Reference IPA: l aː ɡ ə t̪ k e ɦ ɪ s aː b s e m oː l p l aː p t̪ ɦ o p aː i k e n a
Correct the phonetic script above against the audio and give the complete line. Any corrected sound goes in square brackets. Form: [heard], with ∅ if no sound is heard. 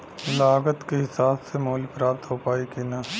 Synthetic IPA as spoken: l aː ɡ ə t̪ k e ɦ ɪ s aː b s e m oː l p [ɾ] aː p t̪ ɦ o p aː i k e n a